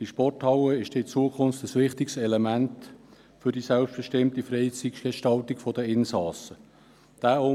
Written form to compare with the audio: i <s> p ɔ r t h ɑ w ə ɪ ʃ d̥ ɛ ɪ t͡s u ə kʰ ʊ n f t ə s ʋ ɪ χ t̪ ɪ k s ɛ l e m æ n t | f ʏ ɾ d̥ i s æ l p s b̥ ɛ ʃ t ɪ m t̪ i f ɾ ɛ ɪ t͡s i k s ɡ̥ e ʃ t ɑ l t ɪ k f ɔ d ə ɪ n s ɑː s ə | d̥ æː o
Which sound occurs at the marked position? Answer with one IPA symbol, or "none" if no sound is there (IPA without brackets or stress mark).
ʃ